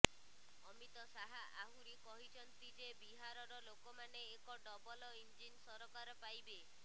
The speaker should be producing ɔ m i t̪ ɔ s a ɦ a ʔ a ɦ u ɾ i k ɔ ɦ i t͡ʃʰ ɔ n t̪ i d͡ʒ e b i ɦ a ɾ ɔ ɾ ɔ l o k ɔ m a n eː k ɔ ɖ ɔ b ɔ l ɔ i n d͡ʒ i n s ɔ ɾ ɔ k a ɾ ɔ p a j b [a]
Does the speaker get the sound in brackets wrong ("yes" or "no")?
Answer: yes